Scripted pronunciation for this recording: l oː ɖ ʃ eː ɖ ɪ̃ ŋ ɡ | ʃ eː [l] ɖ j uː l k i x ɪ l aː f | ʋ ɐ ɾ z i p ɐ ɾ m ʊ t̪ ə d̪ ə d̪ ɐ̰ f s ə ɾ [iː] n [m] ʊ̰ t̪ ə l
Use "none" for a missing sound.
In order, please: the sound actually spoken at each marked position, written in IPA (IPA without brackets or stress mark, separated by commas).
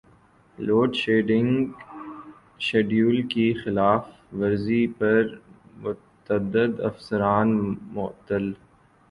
none, aː, m